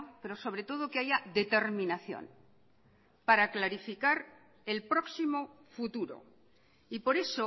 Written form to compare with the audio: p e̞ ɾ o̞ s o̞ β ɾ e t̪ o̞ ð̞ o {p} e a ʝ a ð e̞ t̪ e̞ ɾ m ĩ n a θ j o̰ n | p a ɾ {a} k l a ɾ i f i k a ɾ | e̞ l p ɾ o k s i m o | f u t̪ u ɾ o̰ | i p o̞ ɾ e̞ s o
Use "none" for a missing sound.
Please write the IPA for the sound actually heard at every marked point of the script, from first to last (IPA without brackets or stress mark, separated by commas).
k, a